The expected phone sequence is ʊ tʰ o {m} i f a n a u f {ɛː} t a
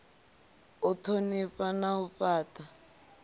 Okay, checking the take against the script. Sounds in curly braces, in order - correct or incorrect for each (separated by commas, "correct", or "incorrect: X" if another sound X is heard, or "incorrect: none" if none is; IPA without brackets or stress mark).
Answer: incorrect: n, incorrect: aː